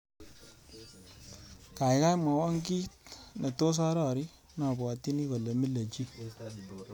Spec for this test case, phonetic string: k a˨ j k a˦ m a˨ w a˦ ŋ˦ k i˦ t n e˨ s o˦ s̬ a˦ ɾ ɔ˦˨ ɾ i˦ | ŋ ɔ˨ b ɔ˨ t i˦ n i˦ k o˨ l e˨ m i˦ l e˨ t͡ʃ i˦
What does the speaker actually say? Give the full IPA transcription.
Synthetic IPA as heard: k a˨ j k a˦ m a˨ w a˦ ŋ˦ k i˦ t n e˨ t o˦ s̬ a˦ ɾ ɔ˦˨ ɾ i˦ | n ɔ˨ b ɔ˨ t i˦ n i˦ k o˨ l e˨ m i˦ l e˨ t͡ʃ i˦